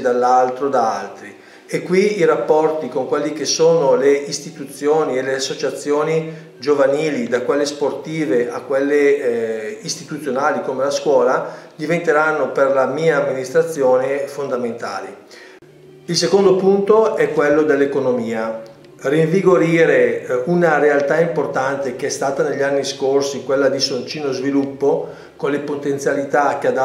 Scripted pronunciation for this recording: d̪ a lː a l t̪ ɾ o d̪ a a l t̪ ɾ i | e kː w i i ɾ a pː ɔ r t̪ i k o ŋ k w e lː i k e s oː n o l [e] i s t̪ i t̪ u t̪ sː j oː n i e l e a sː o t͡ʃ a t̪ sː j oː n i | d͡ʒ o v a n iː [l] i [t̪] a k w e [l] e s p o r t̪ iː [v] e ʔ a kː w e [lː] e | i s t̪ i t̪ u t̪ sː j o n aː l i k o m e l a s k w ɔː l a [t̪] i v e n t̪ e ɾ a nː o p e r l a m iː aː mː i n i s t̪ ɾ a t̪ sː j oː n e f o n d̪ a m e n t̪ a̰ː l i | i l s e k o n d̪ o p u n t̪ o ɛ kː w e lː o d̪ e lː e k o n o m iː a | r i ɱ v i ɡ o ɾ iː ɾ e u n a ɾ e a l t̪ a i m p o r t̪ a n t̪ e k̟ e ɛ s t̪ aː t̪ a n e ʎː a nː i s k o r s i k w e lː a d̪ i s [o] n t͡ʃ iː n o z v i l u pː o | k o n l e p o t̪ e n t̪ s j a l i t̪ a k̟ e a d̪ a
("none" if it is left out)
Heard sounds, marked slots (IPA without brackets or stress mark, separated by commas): e, l, d̪, lː, v, lː, d̪, o